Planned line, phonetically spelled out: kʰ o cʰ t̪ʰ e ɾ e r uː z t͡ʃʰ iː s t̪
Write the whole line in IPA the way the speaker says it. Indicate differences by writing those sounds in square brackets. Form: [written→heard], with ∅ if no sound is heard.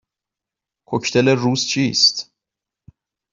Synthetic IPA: kʰ o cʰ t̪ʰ e [ɾ→l] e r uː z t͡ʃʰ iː s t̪